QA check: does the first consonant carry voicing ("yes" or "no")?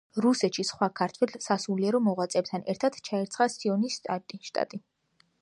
yes